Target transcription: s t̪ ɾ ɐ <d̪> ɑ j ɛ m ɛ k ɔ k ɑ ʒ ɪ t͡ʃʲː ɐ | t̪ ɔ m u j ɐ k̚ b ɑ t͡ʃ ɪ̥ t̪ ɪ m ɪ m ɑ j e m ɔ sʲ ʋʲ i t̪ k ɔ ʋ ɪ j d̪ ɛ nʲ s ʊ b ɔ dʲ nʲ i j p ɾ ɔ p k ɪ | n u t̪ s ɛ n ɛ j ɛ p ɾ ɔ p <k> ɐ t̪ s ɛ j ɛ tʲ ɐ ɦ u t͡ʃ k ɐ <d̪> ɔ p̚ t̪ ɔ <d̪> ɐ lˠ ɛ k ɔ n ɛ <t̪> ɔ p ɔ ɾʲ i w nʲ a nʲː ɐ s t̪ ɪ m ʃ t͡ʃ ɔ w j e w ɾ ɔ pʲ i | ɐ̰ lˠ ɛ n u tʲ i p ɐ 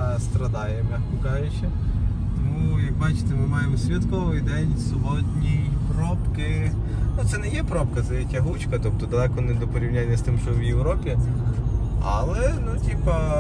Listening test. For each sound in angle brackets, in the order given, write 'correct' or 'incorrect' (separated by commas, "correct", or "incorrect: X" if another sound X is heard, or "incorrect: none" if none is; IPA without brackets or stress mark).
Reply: correct, correct, incorrect: t̪, correct, incorrect: d̪